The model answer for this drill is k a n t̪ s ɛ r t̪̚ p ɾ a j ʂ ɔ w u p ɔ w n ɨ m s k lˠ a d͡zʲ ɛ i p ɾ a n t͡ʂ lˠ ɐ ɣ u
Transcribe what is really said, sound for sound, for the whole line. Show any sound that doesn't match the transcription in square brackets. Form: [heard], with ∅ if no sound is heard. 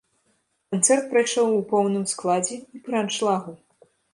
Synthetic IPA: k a n t̪ s ɛ r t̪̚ p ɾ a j ʂ ɔ w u p ɔ w n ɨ m s k lˠ a d͡zʲ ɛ i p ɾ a n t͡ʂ lˠ [a] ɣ u